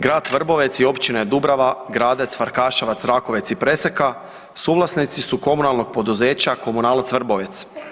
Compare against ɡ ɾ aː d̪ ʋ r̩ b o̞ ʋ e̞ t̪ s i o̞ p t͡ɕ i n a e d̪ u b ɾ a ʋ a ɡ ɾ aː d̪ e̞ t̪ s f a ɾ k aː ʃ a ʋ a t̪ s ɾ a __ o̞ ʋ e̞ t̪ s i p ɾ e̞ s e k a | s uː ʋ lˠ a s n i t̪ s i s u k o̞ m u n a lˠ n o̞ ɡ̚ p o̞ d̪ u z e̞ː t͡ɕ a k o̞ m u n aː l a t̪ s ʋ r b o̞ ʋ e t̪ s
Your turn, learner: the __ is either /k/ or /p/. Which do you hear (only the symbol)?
k